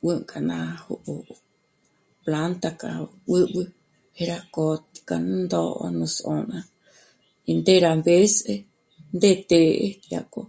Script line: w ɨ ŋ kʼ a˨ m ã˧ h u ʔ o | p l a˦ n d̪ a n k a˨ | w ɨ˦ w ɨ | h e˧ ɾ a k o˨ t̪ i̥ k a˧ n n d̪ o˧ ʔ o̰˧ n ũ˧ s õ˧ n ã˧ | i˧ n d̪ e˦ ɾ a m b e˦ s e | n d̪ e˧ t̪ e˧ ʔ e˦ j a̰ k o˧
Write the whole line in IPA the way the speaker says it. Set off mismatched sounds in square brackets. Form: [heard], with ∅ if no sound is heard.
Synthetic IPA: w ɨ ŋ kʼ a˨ [n] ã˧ h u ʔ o | p l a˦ n [t̪] a [∅] k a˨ | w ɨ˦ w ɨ | h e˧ ɾ a k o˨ t̪ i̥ k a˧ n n d̪ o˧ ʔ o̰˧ n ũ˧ s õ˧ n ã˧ | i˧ n d̪ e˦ ɾ a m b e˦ s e | n d̪ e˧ t̪ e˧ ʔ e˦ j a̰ k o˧